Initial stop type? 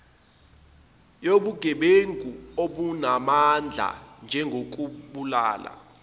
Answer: implosive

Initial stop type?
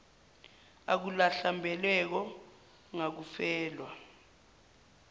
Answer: plain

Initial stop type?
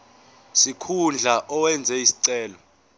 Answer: aspirated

